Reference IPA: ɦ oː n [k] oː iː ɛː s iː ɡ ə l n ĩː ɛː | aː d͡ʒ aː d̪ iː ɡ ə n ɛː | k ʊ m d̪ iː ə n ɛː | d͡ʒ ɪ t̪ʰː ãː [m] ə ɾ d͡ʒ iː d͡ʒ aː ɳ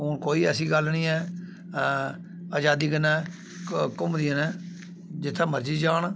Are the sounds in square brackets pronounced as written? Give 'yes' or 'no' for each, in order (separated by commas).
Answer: yes, yes